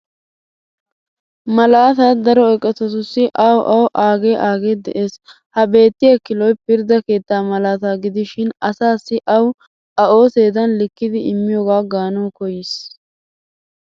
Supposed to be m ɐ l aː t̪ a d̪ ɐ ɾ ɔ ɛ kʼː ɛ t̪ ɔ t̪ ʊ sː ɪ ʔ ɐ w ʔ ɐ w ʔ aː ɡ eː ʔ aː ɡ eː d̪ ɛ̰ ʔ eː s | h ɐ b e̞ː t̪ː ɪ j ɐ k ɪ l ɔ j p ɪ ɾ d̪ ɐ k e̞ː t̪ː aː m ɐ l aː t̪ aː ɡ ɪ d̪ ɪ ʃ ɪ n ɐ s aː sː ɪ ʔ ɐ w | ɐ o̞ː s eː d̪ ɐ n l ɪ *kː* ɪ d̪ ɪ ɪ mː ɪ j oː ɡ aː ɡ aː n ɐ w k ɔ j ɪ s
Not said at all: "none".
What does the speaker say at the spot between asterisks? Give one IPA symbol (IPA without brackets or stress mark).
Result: kː